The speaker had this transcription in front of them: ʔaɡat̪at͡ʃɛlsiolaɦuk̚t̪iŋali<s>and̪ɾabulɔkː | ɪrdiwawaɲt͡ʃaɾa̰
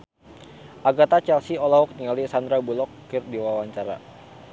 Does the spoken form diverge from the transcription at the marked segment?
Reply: no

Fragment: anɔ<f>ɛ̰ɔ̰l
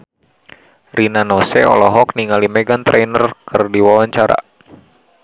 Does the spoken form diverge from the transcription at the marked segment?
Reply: yes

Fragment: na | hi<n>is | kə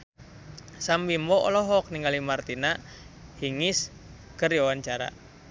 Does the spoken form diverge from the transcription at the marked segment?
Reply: yes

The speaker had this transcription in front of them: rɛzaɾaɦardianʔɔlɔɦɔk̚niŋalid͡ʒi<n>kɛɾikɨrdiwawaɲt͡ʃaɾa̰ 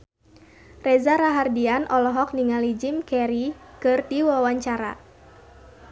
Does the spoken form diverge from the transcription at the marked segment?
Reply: yes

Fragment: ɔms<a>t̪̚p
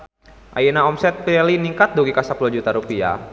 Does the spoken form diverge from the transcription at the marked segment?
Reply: yes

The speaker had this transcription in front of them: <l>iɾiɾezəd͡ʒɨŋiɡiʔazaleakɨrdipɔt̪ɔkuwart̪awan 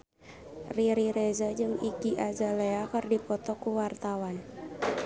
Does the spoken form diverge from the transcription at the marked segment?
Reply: yes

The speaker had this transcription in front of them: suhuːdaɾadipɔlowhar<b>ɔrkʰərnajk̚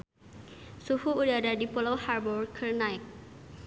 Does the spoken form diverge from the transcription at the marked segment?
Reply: no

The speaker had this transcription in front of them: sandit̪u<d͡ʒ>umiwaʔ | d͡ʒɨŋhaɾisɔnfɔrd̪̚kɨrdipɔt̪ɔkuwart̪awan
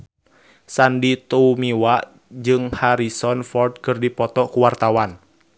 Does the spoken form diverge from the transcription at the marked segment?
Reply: yes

